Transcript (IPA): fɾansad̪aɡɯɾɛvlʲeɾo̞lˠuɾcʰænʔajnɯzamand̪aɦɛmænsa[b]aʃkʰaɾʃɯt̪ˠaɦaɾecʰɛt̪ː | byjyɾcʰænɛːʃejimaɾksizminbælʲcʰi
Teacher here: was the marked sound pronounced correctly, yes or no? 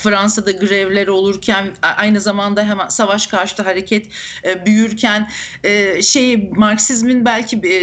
no